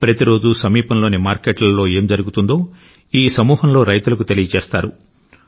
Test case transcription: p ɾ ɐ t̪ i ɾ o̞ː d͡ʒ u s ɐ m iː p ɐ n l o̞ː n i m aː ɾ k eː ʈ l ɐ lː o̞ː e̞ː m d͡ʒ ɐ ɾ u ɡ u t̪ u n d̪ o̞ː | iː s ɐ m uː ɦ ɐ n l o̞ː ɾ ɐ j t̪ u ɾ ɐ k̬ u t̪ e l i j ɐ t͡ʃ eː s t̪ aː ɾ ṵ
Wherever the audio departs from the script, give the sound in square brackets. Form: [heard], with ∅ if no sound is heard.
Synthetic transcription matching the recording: p ɾ ɐ t̪ i ɾ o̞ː d͡ʒ u s ɐ m iː p ɐ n l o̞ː n i m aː ɾ k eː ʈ l ɐ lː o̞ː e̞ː m d͡ʒ ɐ ɾ u ɡ u t̪ u n d̪ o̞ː | iː s ɐ m uː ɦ ɐ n l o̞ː ɾ ɐ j t̪ u [l] ɐ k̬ u t̪ e l i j ɐ t͡ʃ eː s t̪ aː ɾ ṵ